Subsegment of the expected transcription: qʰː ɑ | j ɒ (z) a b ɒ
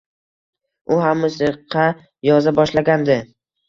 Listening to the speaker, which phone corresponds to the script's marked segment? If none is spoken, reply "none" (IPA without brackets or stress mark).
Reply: z